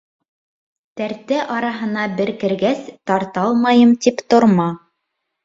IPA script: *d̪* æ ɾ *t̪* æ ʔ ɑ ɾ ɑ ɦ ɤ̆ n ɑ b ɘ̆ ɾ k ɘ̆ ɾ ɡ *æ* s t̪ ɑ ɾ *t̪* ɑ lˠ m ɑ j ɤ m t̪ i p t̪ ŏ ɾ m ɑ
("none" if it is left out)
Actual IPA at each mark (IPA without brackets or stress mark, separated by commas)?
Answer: t̪, t̪, æ, t̪